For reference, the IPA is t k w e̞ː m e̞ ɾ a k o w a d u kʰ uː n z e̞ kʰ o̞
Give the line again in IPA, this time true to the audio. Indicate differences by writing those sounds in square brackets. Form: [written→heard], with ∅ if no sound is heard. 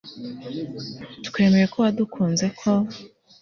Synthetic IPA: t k w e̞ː m e̞ ɾ [a→e] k o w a d u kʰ uː n z e̞ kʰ o̞